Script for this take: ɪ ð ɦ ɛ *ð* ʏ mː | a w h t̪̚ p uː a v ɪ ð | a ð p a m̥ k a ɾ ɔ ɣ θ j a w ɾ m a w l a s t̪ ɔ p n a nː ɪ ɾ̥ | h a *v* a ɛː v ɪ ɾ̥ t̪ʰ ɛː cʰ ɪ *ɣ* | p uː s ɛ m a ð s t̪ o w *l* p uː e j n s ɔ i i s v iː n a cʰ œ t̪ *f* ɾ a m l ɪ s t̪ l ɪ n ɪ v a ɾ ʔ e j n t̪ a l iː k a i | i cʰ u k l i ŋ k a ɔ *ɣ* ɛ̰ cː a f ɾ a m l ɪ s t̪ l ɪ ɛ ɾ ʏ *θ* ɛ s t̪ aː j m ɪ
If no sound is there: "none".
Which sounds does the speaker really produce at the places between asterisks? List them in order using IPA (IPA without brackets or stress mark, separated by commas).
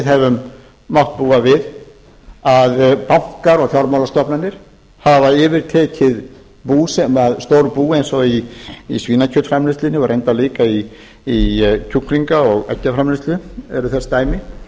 v, v, ð, ɾ, f, ɣ, θ